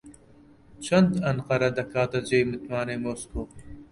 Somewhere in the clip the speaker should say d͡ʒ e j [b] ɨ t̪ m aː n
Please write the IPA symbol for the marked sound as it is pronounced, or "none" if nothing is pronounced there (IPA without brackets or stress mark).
m